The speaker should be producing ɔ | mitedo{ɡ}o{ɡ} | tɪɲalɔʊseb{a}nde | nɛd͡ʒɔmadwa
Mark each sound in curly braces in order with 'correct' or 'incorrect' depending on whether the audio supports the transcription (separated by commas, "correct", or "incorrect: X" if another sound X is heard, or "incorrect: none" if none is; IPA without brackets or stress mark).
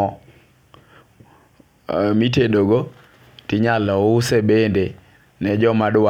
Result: correct, incorrect: none, incorrect: e